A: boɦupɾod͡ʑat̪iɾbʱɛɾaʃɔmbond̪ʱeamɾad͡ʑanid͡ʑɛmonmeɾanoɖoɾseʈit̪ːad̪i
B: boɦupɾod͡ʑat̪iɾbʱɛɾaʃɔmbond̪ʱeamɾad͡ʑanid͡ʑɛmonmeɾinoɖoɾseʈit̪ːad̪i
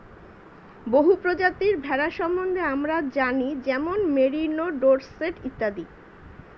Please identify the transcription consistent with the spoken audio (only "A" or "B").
B